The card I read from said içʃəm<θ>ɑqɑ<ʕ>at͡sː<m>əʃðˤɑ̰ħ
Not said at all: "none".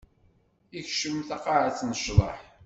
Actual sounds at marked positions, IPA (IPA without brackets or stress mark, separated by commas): θ, ʕ, n